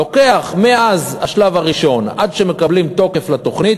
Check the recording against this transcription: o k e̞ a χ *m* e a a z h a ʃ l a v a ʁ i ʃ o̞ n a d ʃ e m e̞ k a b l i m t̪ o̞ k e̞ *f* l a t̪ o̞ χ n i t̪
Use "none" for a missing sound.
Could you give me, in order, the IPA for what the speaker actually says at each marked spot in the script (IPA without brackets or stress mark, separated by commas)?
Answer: m, f